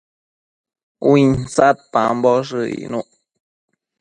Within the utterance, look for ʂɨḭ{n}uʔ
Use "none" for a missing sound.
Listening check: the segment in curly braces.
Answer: n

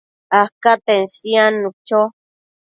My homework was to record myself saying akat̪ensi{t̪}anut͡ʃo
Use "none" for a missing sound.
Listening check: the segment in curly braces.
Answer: none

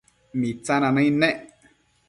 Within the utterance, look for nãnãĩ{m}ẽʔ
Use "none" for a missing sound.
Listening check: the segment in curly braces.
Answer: n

